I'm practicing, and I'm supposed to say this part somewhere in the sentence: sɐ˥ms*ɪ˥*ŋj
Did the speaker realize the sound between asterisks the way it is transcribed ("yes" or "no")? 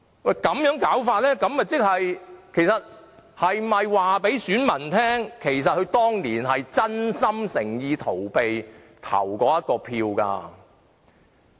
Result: no